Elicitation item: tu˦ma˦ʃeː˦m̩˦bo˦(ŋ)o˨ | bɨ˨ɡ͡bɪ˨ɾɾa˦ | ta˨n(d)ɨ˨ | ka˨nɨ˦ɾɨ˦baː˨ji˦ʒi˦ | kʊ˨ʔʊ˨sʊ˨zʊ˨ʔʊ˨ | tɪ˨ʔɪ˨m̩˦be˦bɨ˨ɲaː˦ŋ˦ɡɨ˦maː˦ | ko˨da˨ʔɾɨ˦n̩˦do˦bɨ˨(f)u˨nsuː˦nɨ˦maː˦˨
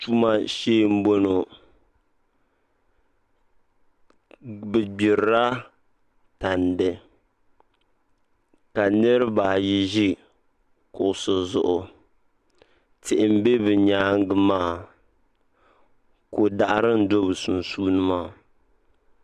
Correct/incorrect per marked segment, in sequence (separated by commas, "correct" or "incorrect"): incorrect, correct, incorrect